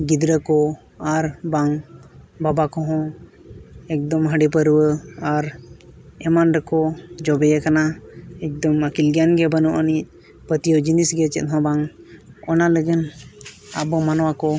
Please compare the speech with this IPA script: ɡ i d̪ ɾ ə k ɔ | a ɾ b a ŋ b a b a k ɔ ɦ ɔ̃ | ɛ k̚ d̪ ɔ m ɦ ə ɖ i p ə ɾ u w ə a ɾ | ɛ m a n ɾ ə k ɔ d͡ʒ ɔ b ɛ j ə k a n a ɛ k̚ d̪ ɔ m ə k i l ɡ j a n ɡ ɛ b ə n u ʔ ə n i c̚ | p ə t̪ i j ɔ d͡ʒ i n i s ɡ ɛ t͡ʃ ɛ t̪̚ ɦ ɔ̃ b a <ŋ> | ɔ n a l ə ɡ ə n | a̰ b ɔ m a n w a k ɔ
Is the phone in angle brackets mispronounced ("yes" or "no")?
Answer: no